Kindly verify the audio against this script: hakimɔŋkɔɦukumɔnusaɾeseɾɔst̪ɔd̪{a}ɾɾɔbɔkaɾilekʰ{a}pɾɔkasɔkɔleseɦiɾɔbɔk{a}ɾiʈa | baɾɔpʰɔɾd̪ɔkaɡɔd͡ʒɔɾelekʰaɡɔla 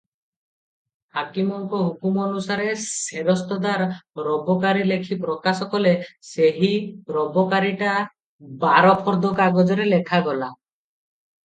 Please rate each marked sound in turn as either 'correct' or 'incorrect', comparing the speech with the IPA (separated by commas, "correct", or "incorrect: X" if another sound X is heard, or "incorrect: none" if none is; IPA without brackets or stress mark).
correct, incorrect: i, correct